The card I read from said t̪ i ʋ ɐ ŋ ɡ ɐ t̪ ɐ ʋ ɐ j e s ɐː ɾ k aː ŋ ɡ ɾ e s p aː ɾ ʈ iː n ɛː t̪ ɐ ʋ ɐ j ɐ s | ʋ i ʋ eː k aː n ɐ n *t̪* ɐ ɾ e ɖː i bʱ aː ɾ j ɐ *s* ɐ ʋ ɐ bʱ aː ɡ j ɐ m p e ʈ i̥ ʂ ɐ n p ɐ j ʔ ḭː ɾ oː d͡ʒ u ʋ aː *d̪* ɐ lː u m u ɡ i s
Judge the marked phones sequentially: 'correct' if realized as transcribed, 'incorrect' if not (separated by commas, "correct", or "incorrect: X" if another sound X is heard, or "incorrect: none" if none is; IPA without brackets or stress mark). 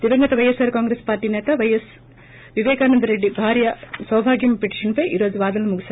incorrect: d̪, correct, correct